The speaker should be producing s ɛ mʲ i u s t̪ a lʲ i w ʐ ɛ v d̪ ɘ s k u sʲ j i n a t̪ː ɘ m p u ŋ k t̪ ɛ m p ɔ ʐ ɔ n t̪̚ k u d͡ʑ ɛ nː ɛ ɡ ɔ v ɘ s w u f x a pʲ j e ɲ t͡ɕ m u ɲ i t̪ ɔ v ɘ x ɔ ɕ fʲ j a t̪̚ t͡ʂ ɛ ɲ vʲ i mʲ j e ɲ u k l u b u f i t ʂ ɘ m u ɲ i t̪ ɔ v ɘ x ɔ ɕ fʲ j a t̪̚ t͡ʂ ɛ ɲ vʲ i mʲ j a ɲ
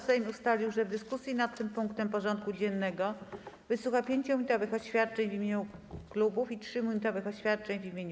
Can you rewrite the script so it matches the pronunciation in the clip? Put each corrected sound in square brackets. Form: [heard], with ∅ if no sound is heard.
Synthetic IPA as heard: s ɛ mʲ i u s t̪ a lʲ i w ʐ ɛ v d̪ ɘ s k u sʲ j i n a t̪ː ɘ m p u ŋ k t̪ ɛ m p ɔ ʐ ɔ n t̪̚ k u d͡ʑ ɛ nː ɛ ɡ ɔ v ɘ s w u [∅] x a pʲ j e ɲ t͡ɕ m u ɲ i t̪ ɔ v ɘ x ɔ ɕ fʲ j a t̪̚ t͡ʂ ɛ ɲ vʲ i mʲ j e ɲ u k l u b u f i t ʂ ɘ m u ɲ i t̪ ɔ v ɘ x ɔ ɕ fʲ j a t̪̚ t͡ʂ ɛ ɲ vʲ i mʲ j [e] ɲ